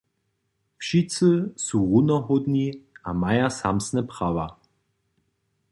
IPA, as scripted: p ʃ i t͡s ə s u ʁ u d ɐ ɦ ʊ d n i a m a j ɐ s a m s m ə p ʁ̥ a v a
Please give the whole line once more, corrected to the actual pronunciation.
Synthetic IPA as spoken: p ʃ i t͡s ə s u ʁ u n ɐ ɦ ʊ d n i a m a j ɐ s a m s n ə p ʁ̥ a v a